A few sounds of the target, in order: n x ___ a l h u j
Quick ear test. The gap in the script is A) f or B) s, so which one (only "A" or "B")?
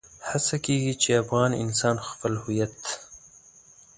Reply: A